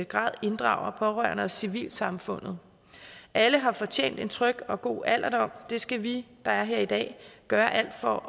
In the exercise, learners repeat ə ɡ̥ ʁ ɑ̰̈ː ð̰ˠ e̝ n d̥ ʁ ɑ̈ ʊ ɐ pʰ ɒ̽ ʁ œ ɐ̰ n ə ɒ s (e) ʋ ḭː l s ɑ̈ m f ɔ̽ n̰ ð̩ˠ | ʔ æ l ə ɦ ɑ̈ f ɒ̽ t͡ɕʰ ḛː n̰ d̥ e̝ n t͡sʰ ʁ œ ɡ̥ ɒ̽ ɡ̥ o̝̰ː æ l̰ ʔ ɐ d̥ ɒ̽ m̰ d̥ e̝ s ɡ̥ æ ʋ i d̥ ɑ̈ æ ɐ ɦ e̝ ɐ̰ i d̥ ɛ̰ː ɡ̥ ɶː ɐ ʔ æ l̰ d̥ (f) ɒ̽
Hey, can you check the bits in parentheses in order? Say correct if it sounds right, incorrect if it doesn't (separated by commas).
incorrect, correct